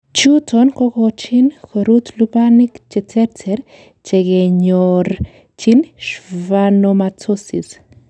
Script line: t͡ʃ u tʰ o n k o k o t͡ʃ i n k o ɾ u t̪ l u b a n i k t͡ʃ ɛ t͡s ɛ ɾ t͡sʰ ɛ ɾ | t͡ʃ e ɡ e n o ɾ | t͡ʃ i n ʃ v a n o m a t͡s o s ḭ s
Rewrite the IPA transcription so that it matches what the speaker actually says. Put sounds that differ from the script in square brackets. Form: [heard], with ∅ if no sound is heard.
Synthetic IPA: t͡ʃ u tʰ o n k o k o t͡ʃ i n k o ɾ u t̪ l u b a n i k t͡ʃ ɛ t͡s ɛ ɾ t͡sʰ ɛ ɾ | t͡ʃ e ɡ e [ɲ] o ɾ | t͡ʃ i n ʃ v a n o m a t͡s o s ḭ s